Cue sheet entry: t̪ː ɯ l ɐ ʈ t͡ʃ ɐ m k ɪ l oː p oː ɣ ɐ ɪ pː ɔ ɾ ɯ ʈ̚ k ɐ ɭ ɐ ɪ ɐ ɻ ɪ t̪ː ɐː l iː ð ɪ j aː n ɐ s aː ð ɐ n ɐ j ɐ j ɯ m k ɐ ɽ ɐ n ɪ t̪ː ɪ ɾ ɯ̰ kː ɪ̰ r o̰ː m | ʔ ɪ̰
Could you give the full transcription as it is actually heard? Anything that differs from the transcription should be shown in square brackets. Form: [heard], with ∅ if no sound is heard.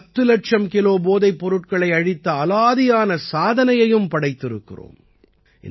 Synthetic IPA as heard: t̪ː ɯ l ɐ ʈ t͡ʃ ɐ m k ɪ l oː [b] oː [ð] ɐ ɪ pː ɔ ɾ ɯ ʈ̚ k ɐ ɭ ɐ ɪ ɐ ɻ ɪ t̪ː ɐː l [aː] ð ɪ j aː n ɐ s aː ð ɐ n ɐ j ɐ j ɯ m [p] ɐ ɽ ɐ [∅] ɪ t̪ː ɪ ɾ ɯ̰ kː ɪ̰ r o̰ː m | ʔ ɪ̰